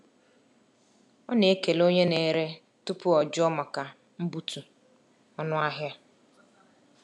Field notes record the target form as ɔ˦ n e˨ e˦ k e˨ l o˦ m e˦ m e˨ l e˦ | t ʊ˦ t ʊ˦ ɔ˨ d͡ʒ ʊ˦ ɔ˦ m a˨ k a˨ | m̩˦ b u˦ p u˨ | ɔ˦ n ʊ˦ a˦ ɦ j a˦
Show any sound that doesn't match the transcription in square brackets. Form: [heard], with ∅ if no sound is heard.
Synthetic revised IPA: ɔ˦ n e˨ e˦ k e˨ l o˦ [ɲ] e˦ [n] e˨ [ɾ] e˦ | t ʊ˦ [p] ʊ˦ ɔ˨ d͡ʒ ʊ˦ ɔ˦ m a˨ k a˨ | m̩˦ b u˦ [t] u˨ | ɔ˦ n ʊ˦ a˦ ɦ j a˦

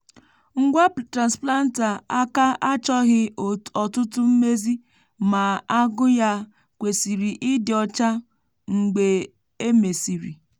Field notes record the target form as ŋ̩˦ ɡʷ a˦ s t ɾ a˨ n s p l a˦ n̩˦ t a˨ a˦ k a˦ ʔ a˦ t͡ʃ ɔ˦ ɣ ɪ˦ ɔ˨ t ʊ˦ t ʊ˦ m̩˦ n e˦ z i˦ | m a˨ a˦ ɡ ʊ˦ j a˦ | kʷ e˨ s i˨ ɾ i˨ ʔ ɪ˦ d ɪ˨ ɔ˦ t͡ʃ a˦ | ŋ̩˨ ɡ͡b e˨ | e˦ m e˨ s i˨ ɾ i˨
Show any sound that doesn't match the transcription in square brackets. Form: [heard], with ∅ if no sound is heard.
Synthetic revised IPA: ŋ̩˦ ɡʷ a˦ [∅] t ɾ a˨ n s p l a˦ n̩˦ t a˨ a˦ k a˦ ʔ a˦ t͡ʃ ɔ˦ ɣ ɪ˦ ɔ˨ t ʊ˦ t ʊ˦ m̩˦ [m] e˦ z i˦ | m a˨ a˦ ɡ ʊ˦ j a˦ | kʷ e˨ s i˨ ɾ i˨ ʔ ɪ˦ d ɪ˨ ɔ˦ t͡ʃ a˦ | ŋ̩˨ ɡ͡b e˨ | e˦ m e˨ s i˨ ɾ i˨

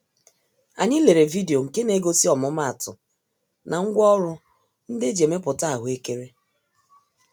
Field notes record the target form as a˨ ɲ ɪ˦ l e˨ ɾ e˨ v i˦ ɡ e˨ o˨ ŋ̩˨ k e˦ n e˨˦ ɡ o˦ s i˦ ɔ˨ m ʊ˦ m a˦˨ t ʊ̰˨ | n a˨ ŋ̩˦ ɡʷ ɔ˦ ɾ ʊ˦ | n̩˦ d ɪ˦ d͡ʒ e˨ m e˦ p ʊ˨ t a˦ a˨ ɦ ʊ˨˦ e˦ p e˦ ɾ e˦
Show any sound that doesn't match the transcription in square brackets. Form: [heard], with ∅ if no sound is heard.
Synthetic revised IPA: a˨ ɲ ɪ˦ l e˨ ɾ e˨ v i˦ [d] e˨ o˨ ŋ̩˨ k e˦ n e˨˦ ɡ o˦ s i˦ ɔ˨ m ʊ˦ m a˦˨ t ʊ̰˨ | n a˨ ŋ̩˦ ɡʷ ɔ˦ ɾ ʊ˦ | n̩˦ d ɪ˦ d͡ʒ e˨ m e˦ p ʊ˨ t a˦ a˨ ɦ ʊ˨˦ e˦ [k] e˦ ɾ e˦

